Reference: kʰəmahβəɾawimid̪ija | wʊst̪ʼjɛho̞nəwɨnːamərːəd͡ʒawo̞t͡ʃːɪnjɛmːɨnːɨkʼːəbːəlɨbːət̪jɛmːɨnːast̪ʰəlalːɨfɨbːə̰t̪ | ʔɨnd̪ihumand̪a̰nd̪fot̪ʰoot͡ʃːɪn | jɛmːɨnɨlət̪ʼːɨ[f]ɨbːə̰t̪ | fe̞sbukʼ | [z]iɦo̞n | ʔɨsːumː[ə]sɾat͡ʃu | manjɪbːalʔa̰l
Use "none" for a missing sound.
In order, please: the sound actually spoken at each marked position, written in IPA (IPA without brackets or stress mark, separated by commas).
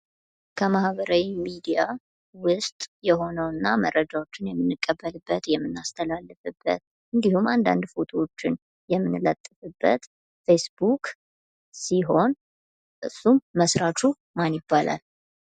f, s, ə